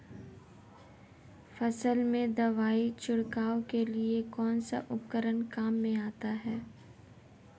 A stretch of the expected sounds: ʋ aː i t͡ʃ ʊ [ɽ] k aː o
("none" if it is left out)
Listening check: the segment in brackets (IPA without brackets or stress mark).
ɽ